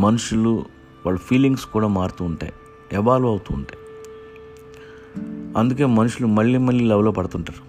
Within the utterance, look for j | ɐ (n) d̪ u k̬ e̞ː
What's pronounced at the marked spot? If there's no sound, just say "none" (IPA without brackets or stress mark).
n